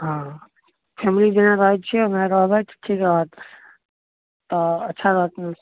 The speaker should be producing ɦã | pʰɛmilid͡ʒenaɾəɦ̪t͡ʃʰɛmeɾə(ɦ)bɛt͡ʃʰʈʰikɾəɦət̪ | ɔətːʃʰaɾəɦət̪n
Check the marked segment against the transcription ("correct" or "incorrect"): correct